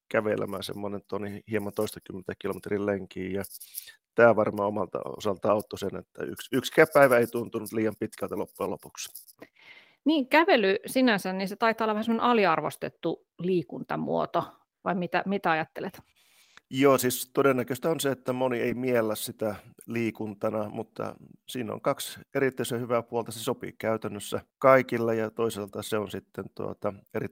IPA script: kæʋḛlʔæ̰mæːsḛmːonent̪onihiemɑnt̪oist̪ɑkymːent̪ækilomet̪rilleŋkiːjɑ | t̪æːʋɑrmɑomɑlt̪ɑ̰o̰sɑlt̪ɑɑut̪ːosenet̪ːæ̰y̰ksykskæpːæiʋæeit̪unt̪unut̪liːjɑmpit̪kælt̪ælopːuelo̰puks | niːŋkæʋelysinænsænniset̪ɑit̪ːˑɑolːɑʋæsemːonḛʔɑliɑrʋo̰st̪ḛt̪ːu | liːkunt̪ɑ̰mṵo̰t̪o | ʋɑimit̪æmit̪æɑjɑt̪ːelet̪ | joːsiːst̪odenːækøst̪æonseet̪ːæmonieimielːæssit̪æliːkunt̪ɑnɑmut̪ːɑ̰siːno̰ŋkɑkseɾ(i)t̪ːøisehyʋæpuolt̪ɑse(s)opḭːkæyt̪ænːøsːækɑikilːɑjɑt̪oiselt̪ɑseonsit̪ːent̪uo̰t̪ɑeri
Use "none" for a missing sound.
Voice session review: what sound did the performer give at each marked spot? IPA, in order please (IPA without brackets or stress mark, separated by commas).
i, s